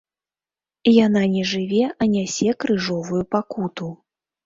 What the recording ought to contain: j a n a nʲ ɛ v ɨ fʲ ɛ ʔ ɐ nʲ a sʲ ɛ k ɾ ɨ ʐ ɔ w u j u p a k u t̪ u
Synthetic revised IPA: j a n a nʲ ɛ ʐ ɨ vʲ ɛ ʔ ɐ nʲ a sʲ ɛ k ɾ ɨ ʐ ɔ v u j u p a k u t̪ u

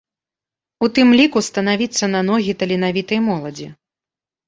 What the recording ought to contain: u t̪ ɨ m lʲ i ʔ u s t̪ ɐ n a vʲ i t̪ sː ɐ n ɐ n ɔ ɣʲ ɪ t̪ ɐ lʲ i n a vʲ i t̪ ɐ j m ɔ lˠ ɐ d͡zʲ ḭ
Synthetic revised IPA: u t̪ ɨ m lʲ i k u s t̪ ɐ n a vʲ i t̪ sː ɐ n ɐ n ɔ ɣʲ i t̪ ɐ lʲ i n a vʲ i t̪ ɐ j m ɔ lˠ ɐ d͡zʲ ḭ

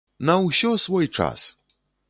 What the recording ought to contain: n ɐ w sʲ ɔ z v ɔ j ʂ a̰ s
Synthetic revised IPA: n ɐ w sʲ ɔ s v ɔ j t͡ʂ a̰ s

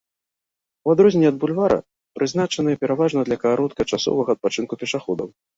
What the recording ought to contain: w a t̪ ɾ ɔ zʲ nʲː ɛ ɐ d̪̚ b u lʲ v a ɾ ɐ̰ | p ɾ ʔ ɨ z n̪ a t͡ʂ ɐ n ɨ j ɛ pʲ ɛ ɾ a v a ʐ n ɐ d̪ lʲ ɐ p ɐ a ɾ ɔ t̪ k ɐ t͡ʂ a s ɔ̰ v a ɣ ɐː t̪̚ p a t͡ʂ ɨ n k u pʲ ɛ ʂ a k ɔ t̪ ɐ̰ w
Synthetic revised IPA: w a d̪ ɾ ɔ zʲ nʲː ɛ ɐ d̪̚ b u lʲ v a ɾ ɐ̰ | p ɾ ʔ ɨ z n̪ a t͡ʂ ɐ n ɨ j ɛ pʲ ɛ ɾ a v a ʐ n ɐ d̪ lʲ ɐ k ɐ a ɾ ɔ t̪ k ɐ t͡ʂ a s ɔ̰ v ɐ ɣ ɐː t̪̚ p a t͡ʂ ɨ n k u pʲ ɛ ʂ a x ɔ d̪ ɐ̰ w

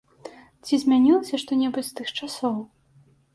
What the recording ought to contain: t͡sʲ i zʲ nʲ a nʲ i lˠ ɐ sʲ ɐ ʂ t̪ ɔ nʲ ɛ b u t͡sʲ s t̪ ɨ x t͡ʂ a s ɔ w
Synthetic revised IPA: t͡sʲ i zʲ mʲ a nʲ i lˠ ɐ sʲ ɐ ʂ t̪ ɔ nʲ ɛ b u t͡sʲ s t̪ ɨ x t͡ʂ a s ɔ w

